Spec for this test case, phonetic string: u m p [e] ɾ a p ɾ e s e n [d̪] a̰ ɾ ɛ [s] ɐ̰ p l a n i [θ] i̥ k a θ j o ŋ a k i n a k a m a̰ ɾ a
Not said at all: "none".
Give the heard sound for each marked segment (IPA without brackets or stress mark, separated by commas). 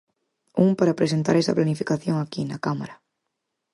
a, t̪, s, f